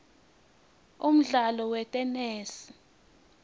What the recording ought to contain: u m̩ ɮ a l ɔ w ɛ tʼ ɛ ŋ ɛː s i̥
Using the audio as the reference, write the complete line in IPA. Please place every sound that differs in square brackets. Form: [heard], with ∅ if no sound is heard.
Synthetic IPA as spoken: u m̩ ɮ a l ɔ w ɛ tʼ ɛ [n] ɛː s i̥

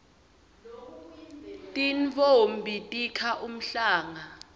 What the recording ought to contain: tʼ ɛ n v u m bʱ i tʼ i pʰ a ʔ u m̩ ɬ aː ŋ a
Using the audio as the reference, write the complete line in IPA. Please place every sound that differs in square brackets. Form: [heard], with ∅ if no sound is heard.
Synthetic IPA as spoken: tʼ [i] n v [o] m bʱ i tʼ i [kʰ] a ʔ u m̩ ɬ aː ŋ a

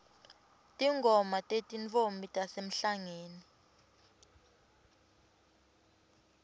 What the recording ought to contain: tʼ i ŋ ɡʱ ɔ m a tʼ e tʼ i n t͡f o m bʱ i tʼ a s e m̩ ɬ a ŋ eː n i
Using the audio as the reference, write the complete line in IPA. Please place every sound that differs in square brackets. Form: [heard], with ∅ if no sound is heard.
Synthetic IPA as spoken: tʼ i ŋ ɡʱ ɔ m a tʼ e tʼ i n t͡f o m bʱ i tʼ a s e m̩ ɬ a ŋ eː n i

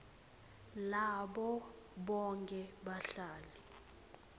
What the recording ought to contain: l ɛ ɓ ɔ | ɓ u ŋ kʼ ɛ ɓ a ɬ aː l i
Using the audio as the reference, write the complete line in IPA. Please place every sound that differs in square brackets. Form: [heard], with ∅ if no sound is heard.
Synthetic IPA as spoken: l [a] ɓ ɔ | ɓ [ɔ] ŋ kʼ ɛ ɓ a ɬ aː l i

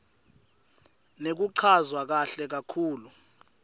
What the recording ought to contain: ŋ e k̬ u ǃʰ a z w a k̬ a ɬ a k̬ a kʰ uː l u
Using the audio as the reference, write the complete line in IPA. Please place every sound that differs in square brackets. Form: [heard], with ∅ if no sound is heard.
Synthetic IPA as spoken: [n] e k̬ u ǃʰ a z w a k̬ a ɬ [ɛ] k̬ a kʰ uː l u

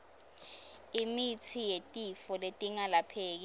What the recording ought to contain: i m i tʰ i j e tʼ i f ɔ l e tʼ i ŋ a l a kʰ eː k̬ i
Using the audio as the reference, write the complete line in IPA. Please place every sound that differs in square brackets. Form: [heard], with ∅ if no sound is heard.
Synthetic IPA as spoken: i m i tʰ i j e tʼ i f ɔ l e tʼ i ŋ a l a [pʰ] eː k̬ i

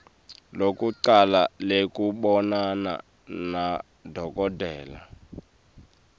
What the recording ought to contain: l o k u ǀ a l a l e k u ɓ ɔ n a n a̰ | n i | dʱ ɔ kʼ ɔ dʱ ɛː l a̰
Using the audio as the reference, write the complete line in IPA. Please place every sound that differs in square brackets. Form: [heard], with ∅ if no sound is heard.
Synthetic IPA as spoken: l o k u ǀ a l a l e k u ɓ ɔ n a n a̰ | n [a] | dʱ ɔ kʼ ɔ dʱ ɛː l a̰

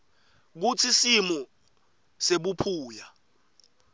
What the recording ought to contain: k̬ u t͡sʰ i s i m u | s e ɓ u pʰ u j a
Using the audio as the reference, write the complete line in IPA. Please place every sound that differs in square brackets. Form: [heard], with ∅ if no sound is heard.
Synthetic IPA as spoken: k̬ u t͡sʰ i s i m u | s e ɓ u pʰ [uː] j a

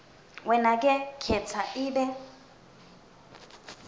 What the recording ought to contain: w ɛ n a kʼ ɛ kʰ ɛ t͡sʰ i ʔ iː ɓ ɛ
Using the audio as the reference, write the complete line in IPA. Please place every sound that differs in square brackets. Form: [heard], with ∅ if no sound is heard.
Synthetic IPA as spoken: w ɛ n a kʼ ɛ kʰ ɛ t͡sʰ [a] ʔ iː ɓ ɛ

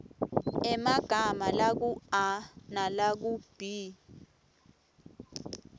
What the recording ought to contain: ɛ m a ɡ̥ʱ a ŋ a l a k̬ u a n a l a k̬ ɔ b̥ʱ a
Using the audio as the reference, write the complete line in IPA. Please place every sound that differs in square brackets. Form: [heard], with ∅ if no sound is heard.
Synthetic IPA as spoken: ɛ m a ɡ̥ʱ a [m] a l a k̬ u a n a l a k̬ [u] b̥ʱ [i]

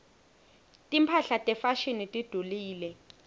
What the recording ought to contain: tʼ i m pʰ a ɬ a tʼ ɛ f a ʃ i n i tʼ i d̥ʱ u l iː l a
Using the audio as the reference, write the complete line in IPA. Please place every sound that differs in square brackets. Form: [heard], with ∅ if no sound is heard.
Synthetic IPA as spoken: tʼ i m pʰ a ɬ a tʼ ɛ f a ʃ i n i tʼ i d̥ʱ u l iː l [ɛ]

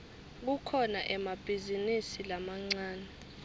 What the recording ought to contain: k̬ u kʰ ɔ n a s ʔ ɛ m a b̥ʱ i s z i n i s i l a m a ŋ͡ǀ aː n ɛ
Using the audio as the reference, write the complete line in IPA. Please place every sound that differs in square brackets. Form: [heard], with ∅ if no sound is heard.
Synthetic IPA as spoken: k̬ u kʰ ɔ n a [∅] ʔ ɛ m a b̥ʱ i [∅] z i n i s i l a m a ŋ͡ǀ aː n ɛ

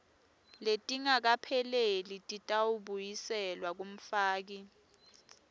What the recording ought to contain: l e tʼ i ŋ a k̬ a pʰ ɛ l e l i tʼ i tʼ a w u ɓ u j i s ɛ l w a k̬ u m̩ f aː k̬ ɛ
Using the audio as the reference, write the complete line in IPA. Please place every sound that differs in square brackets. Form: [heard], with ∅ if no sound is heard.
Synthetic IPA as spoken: l e tʼ i ŋ a k̬ a pʰ ɛ l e l i tʼ i tʼ a w u ɓ u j i s ɛ l w a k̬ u m̩ f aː k̬ [i]

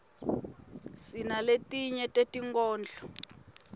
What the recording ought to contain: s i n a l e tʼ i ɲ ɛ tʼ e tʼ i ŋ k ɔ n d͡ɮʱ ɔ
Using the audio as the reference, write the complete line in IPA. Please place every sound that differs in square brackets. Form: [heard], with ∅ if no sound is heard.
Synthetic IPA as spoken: s i n a l e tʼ i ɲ ɛ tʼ e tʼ i ŋ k [ɔː] n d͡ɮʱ ɔ

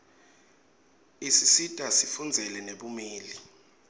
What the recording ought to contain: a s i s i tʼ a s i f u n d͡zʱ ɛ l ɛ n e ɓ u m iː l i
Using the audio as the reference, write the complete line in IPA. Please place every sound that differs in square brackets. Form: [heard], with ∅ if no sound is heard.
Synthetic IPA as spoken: [i] s i s i tʼ a s i f u n d͡zʱ ɛ l ɛ n e ɓ u m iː l i

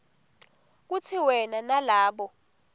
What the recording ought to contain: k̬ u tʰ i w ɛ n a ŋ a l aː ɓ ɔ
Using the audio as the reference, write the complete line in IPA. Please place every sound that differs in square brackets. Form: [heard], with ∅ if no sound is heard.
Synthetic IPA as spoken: k̬ u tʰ i w ɛ n a [n] a l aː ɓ ɔ

